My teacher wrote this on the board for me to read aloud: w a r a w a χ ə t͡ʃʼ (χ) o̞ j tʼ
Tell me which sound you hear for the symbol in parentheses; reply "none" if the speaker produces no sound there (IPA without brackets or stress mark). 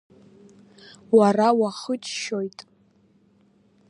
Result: ʃ